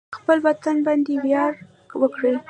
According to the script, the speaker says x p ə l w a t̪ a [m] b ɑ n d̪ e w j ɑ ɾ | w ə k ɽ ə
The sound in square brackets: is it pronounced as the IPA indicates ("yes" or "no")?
no